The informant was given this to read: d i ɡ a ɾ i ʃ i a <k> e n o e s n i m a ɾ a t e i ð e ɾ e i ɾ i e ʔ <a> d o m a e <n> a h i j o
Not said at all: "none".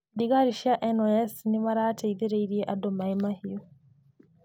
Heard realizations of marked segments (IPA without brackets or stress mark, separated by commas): ʔ, a, m